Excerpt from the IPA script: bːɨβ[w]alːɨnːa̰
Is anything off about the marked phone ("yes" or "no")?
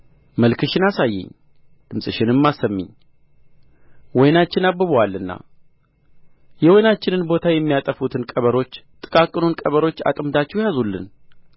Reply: no